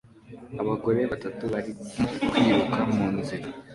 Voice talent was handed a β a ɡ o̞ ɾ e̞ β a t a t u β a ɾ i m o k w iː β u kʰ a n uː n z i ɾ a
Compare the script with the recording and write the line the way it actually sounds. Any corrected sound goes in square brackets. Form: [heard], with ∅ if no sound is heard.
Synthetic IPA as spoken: a β a ɡ o̞ ɾ e̞ β a t a t u β a ɾ i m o k w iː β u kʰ a [m] uː n z i ɾ a